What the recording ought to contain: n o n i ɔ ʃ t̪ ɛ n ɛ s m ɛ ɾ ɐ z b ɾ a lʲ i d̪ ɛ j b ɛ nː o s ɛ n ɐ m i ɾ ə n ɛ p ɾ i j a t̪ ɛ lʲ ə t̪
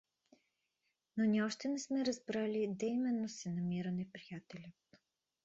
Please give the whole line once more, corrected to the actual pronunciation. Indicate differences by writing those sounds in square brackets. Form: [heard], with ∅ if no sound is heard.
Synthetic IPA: n o n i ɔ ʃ t̪ ɛ n ɛ s m ɛ ɾ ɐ z b ɾ a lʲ i d̪ ɛ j [m] ɛ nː o s ɛ n ɐ m i ɾ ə n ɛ p ɾ i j a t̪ ɛ lʲ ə t̪